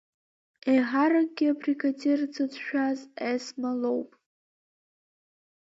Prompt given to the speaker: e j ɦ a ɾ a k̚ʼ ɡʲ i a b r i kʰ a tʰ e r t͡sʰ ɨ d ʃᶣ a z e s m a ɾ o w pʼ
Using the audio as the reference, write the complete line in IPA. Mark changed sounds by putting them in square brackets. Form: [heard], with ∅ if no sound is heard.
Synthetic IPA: e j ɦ a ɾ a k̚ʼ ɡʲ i a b r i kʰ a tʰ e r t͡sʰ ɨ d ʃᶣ a z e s m a [l] o w pʼ